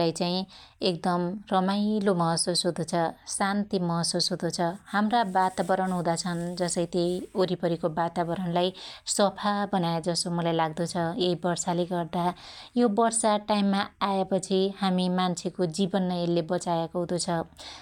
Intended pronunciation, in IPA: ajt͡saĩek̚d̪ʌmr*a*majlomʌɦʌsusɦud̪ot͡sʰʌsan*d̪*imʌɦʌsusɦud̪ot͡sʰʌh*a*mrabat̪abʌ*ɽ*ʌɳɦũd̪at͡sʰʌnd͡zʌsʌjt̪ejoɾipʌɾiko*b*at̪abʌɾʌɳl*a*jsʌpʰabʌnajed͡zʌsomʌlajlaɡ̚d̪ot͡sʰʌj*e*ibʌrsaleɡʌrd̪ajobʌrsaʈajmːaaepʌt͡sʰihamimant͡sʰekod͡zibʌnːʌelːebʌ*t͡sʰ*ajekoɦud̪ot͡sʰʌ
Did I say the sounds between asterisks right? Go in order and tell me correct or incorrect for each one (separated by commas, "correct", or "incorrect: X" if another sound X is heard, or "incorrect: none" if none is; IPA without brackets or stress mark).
incorrect: ʌ, incorrect: t̪, correct, incorrect: ɾ, correct, correct, correct, incorrect: t͡s